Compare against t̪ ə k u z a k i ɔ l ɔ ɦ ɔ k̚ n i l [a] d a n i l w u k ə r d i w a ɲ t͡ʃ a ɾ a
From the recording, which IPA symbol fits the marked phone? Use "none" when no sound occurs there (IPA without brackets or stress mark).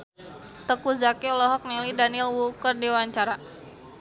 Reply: i